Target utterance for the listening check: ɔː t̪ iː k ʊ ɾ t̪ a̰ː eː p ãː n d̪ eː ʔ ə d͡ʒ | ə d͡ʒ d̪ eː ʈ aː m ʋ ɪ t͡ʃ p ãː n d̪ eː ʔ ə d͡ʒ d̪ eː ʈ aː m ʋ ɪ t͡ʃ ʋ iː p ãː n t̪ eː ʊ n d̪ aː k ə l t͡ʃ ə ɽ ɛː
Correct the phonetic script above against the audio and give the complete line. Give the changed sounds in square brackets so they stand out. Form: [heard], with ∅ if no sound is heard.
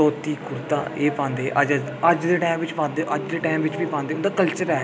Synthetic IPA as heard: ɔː t̪ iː k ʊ ɾ t̪ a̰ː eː p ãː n d̪ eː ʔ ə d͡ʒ | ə d͡ʒ d̪ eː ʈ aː m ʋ ɪ t͡ʃ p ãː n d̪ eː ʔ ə d͡ʒ d̪ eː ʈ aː m ʋ ɪ t͡ʃ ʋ iː p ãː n [d̪] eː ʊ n d̪ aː k ə l t͡ʃ ə [ɾ] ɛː